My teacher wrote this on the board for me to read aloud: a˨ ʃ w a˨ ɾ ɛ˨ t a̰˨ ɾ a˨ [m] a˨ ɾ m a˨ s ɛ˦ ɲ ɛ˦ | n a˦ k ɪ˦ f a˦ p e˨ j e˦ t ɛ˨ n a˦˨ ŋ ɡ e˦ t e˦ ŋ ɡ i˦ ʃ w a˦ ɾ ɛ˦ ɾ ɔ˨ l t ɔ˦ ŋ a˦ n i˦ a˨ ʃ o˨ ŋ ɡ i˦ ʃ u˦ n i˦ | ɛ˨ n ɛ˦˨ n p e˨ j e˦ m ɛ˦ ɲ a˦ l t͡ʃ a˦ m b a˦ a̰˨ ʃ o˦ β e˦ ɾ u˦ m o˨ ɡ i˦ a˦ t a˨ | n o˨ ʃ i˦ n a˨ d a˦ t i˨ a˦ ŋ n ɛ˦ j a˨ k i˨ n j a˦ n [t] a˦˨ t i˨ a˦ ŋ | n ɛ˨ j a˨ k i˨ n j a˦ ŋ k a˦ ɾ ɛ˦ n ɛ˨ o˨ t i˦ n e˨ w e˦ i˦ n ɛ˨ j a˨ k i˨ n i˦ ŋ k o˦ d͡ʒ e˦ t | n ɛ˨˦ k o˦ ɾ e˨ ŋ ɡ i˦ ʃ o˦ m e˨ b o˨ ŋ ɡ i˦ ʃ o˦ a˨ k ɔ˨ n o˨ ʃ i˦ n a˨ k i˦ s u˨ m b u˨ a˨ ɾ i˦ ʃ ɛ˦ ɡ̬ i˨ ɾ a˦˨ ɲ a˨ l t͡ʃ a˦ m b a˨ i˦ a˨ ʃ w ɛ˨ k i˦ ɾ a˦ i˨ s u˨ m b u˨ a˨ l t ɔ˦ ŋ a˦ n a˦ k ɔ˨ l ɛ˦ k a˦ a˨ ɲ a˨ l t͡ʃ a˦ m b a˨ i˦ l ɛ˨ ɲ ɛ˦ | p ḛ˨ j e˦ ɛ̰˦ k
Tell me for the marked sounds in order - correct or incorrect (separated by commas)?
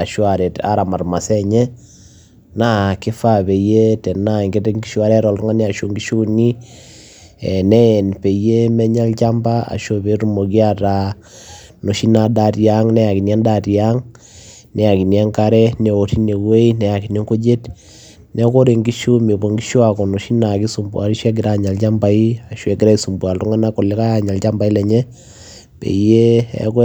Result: correct, incorrect